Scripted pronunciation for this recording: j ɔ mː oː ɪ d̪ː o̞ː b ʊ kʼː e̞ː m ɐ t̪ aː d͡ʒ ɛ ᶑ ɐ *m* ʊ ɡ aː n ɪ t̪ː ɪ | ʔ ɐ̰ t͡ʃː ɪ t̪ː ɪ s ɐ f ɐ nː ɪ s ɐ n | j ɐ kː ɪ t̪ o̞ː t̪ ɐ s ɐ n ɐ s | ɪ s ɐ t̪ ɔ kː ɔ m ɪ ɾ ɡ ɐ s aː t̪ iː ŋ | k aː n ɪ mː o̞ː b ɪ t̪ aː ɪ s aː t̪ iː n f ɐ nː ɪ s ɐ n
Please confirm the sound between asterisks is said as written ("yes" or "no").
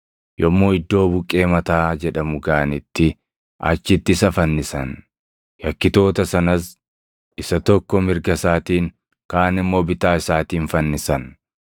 yes